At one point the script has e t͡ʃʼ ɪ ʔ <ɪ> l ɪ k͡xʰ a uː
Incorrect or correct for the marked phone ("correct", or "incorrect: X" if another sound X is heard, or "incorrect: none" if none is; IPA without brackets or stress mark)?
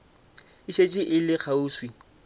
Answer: correct